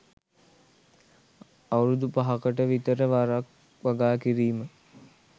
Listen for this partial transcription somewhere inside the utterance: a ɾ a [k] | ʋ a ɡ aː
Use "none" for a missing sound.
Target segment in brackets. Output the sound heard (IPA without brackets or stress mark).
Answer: k